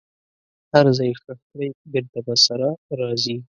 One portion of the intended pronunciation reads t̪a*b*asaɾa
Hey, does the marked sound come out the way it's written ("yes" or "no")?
yes